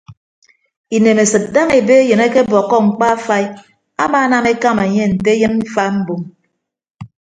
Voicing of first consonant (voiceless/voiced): voiced